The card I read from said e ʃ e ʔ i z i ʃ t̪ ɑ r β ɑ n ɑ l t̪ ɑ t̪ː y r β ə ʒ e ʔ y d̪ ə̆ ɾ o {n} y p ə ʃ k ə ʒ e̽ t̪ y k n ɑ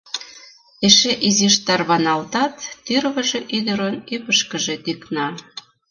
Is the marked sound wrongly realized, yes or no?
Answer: no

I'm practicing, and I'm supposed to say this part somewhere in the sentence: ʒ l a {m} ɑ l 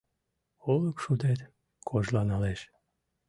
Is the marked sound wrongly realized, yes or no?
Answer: yes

